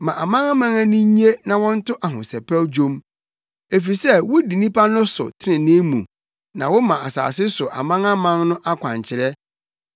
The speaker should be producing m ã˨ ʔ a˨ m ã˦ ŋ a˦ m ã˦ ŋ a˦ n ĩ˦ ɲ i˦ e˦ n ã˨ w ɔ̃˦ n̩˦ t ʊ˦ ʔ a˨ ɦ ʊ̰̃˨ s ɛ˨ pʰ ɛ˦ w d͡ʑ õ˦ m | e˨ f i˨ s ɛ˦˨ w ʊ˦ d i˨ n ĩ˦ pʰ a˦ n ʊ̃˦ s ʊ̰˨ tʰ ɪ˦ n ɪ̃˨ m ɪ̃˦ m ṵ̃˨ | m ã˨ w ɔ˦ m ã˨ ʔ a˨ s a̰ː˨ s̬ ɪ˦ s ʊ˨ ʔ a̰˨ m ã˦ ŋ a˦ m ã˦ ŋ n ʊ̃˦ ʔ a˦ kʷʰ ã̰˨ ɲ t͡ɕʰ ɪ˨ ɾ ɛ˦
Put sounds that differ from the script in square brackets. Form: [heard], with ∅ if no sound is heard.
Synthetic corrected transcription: m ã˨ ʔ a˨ m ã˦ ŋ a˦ m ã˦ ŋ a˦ n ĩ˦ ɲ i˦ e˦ n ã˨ w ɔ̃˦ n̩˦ t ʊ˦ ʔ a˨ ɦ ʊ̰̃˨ s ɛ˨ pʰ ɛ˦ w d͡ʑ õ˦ m | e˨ f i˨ s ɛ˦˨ w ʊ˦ d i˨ n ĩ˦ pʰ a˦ n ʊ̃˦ s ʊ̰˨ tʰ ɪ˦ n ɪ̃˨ [n] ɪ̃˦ m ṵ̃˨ | [n] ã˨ w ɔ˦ m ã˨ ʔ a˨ s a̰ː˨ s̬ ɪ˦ s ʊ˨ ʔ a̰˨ m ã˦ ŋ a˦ m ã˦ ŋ n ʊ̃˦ ʔ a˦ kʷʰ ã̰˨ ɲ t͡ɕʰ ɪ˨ ɾ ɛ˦

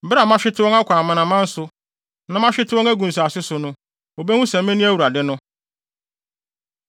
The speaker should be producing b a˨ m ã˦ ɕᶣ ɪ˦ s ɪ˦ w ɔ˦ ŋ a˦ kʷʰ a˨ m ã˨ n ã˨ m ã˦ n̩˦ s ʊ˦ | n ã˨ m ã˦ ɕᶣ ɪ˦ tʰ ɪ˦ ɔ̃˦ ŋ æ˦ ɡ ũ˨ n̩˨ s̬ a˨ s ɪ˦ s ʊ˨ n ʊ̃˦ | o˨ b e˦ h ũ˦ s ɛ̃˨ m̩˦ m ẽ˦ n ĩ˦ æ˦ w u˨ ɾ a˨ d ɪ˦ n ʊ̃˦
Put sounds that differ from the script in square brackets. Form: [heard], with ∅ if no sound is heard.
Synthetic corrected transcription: b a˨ m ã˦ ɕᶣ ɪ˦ [t] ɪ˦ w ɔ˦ ŋ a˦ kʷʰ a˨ m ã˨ n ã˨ m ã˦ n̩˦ s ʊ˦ | n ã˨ m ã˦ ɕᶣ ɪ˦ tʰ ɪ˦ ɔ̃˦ ŋ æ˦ ɡ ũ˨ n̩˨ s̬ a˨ s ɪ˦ s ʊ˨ n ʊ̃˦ | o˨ b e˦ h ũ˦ s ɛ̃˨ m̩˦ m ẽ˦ n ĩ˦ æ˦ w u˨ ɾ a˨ d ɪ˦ n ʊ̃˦

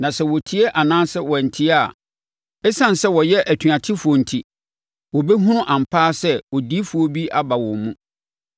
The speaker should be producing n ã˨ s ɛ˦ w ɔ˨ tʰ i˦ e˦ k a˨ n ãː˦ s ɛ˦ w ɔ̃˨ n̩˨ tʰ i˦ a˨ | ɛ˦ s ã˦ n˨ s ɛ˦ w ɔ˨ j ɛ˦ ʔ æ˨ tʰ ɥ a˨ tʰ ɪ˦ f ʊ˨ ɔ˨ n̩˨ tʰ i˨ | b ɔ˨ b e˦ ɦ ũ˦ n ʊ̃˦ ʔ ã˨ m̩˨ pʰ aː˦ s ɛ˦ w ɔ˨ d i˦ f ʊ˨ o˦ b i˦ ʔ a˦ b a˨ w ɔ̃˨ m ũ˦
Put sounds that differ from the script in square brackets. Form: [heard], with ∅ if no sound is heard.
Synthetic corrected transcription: n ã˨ s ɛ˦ w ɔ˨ tʰ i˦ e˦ [ʔ] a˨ n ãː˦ s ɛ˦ w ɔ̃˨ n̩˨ tʰ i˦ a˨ | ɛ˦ s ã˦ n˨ s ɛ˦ w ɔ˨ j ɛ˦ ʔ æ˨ tʰ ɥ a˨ tʰ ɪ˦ f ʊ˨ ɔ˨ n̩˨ tʰ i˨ | [w] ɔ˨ b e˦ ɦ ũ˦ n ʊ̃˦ ʔ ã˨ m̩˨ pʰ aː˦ s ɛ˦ w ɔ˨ d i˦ f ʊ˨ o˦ b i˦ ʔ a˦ b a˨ w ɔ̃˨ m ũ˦

